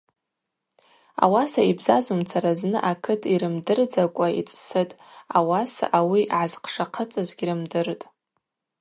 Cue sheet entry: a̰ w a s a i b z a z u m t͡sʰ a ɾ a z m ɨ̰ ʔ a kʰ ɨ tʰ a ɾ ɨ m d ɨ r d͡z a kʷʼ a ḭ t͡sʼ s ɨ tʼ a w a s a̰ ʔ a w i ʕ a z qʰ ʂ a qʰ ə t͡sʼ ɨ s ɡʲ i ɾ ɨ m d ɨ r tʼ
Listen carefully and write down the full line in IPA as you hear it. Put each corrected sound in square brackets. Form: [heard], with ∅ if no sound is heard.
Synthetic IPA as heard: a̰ w a s a i b z a z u m t͡sʰ a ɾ a z [n] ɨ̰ ʔ a kʰ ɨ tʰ [i] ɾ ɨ m d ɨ r d͡z a kʷʼ a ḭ t͡sʼ s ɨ tʼ a w a s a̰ ʔ a w i ʕ a z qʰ ʂ a qʰ ə t͡sʼ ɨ [z] ɡʲ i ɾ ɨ m d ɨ r tʼ